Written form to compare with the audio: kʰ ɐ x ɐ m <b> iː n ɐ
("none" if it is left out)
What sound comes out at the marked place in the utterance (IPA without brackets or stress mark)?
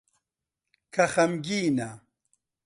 ɡ